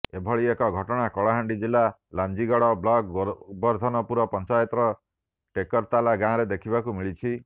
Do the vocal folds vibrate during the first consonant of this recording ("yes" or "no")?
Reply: yes